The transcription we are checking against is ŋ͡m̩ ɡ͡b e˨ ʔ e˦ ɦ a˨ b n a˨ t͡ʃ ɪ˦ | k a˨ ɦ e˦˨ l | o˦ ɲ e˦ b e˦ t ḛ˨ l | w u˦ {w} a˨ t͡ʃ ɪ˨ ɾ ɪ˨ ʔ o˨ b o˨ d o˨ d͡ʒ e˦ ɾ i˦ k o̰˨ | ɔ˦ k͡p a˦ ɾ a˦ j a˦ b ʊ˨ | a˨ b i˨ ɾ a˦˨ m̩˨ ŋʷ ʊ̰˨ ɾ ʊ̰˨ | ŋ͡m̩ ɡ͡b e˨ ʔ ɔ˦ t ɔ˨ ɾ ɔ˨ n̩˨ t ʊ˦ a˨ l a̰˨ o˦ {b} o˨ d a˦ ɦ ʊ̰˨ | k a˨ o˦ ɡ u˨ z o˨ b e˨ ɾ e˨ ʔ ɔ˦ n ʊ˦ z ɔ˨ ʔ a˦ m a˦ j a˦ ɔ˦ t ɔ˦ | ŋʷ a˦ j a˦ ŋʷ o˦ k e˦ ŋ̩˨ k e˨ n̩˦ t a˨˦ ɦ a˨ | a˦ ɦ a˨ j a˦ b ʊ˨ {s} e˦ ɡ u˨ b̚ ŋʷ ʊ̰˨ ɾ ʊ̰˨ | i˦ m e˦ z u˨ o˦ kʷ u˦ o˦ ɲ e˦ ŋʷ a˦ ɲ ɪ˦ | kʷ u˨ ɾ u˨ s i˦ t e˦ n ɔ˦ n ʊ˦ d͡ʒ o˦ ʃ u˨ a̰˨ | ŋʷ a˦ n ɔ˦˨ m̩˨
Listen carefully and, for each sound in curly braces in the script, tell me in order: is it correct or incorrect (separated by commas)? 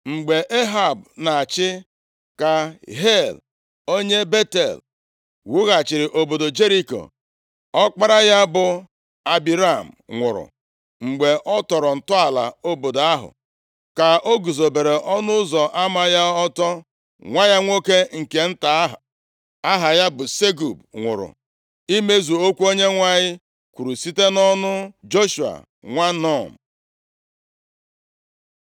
incorrect, correct, correct